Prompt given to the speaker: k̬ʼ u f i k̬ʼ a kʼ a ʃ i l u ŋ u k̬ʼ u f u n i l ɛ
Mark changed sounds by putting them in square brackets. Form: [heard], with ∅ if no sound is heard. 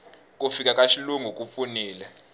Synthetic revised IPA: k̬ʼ u f i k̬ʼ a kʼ a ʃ i l u ŋ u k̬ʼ u f u n [iː] l ɛ